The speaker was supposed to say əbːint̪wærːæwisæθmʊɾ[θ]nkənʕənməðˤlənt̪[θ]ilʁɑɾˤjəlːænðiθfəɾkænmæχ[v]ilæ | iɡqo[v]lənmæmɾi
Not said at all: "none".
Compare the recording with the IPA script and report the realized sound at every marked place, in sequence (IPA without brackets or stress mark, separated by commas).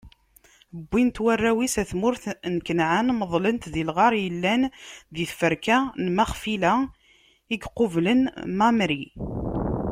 θ, ð, f, v